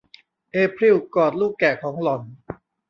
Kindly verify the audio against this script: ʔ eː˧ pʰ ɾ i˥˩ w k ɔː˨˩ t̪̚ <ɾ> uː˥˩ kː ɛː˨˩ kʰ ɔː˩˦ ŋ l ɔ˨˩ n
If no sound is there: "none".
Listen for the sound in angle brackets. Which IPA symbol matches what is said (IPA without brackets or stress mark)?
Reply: l